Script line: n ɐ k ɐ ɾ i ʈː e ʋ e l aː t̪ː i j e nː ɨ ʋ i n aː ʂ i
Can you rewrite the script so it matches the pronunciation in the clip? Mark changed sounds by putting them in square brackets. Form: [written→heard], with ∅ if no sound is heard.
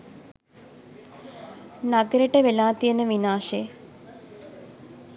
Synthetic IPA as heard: n ɐ [k→ɡ] ɐ ɾ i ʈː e ʋ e l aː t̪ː i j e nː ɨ ʋ i n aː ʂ [i→e]